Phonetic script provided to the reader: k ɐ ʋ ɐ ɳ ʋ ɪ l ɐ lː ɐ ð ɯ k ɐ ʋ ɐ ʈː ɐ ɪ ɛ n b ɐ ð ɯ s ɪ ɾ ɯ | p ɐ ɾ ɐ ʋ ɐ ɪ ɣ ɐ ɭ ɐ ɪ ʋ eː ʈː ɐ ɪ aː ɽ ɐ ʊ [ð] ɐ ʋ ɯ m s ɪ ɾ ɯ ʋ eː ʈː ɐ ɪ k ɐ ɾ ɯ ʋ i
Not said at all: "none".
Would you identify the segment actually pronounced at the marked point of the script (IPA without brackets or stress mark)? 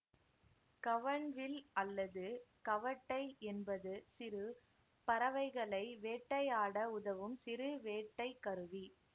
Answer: ð